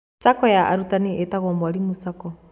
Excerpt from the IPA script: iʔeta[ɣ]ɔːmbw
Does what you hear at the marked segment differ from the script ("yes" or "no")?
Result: no